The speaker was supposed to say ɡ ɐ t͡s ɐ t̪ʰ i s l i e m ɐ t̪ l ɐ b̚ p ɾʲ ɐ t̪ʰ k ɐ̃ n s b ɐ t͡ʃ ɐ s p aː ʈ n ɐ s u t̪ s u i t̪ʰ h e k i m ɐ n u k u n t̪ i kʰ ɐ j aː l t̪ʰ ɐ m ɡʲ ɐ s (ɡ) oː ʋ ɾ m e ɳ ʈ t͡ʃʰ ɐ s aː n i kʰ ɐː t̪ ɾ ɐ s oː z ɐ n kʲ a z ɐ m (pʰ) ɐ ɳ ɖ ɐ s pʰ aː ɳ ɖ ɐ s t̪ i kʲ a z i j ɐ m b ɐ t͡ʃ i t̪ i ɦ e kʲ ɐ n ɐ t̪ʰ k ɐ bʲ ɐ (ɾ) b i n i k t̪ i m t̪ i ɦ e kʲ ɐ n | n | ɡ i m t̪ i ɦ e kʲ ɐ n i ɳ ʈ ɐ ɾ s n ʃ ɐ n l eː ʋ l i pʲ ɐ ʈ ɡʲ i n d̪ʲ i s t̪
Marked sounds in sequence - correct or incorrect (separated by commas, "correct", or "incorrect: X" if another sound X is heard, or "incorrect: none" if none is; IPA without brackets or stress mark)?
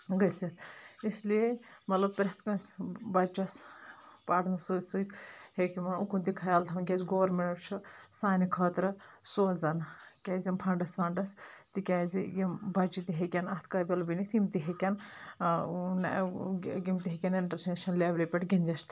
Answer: correct, correct, incorrect: l